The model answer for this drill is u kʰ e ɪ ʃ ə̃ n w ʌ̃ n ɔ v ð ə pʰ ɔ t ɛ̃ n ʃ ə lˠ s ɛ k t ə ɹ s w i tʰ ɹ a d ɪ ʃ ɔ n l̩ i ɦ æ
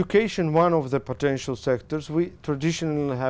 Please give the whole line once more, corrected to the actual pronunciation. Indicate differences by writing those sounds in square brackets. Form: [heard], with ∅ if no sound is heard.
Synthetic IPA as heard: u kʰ e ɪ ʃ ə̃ n w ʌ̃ n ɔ v ð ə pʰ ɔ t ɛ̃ n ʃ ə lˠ s ɛ k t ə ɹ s w i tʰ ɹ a d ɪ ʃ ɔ n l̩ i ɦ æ